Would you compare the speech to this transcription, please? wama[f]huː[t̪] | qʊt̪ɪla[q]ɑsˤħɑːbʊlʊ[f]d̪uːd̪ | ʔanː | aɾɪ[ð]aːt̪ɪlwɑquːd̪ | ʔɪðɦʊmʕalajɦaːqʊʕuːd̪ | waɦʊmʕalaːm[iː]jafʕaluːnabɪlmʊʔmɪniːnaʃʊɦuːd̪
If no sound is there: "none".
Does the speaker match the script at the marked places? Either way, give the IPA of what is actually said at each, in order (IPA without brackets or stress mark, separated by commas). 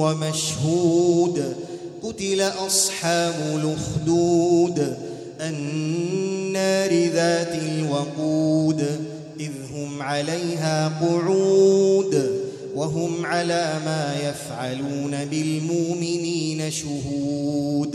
ʃ, d̪, ʔ, x, ð, aː